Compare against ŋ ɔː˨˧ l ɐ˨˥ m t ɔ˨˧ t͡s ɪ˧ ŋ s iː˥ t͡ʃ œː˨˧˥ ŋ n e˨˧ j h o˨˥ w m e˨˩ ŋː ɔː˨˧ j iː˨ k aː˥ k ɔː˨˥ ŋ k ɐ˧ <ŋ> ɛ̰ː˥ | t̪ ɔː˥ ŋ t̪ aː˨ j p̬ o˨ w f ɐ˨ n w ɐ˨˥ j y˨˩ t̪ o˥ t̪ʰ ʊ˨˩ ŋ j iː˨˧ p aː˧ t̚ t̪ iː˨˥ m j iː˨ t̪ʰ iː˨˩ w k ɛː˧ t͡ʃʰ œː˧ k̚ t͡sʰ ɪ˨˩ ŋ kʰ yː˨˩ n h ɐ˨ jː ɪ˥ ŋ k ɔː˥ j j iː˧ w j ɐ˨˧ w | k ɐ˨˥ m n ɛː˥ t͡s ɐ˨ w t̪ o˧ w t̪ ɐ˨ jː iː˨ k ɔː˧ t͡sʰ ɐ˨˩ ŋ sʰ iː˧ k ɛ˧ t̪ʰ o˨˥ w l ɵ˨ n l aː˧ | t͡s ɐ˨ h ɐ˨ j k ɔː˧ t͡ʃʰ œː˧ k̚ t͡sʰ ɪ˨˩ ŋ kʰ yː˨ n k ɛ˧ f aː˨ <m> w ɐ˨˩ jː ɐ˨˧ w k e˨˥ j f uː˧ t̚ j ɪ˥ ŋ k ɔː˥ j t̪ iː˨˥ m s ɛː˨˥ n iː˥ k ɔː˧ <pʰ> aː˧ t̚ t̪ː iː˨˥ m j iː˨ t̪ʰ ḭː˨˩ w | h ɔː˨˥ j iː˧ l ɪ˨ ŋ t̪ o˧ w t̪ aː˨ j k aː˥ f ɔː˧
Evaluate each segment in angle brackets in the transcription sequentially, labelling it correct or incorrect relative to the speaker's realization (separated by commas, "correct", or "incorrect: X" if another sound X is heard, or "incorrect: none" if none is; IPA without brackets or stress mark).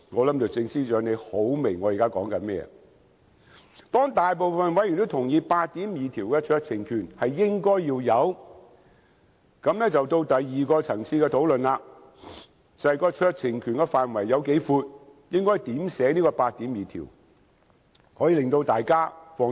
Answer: incorrect: m, incorrect: n, incorrect: p